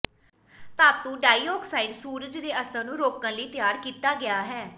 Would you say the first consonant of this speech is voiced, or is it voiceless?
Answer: voiceless